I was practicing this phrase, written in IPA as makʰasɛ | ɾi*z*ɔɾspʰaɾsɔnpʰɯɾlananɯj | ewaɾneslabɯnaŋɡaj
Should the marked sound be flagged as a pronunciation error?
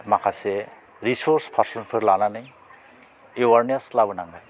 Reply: yes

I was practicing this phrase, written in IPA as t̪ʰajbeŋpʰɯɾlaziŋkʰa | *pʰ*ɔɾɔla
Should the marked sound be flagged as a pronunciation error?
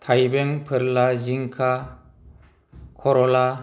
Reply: yes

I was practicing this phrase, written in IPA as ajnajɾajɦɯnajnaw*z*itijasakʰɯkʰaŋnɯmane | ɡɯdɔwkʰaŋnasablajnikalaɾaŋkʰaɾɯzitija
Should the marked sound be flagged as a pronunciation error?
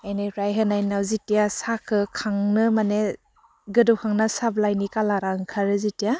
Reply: no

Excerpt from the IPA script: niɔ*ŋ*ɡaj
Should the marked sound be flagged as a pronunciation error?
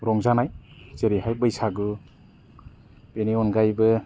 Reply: yes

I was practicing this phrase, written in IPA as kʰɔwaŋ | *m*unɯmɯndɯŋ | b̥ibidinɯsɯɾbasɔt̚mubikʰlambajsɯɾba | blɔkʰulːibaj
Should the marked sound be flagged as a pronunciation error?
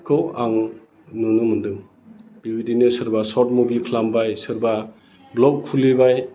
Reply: yes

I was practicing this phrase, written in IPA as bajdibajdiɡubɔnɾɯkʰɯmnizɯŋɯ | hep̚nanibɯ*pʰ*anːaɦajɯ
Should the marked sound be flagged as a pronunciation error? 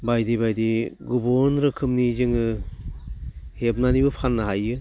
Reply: no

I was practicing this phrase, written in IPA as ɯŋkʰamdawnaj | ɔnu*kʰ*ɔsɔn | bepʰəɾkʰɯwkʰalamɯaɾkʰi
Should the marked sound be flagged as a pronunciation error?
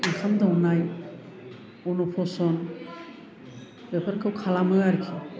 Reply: yes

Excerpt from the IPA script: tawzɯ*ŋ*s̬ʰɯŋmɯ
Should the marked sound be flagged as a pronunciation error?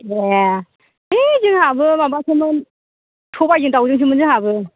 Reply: no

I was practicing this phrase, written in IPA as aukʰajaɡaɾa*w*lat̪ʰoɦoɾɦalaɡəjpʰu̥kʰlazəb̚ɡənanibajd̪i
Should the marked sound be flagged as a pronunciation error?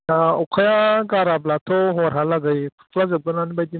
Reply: yes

